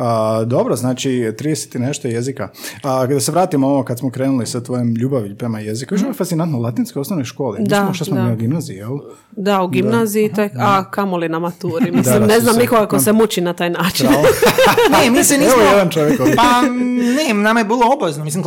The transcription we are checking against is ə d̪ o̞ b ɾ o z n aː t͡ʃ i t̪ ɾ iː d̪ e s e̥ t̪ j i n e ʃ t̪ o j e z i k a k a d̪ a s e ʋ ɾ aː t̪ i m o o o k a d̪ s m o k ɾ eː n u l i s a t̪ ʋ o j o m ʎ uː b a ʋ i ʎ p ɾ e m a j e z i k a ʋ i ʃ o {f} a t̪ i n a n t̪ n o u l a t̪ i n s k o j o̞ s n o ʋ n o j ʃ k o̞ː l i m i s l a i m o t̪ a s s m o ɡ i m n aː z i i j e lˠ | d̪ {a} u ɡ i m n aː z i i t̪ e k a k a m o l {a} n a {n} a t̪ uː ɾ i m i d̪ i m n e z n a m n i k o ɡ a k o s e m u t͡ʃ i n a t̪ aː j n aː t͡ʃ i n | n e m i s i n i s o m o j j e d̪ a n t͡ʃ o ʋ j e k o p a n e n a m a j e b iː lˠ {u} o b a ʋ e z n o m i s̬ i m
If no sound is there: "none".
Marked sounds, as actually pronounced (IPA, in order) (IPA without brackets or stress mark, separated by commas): f, a, i, m, o